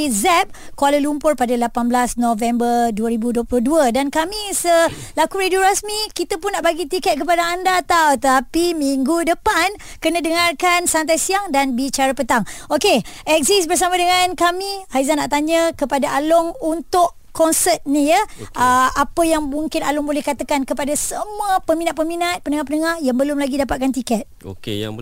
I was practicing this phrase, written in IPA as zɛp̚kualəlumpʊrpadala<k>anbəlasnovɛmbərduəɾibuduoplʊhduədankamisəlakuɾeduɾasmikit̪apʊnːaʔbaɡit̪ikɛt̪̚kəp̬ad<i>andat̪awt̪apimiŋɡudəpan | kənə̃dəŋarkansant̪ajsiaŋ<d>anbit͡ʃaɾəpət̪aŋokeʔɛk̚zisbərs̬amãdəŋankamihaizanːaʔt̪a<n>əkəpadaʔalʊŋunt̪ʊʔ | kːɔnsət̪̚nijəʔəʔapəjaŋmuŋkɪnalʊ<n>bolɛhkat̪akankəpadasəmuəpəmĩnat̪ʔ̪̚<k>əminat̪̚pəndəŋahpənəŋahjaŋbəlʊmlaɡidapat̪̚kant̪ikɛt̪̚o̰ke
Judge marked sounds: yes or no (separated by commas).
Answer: no, no, yes, no, no, no